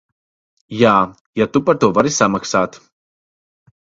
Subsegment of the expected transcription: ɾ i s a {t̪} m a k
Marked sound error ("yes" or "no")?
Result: yes